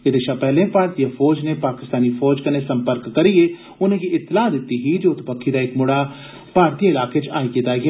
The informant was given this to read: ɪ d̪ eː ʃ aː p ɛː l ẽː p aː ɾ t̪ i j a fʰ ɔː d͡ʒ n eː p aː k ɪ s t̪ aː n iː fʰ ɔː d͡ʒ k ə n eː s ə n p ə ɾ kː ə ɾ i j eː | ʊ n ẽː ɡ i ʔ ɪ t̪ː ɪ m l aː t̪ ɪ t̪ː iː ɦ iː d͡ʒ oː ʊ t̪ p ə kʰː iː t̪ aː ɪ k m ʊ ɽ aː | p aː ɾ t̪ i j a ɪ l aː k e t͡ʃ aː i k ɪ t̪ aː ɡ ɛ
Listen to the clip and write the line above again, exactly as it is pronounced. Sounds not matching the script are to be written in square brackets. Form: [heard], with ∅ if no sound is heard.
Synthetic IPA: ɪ d̪ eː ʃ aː p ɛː l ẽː p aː ɾ t̪ i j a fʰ ɔː d͡ʒ n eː p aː k ɪ s t̪ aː n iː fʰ ɔː d͡ʒ k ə n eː s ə [m] p ə ɾ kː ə ɾ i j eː | ʊ n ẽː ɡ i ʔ ɪ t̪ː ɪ [∅] l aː [d̪] ɪ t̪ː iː ɦ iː d͡ʒ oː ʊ t̪ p ə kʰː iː [d̪] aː ɪ k m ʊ ɽ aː | p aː ɾ t̪ i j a ɪ l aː k e t͡ʃ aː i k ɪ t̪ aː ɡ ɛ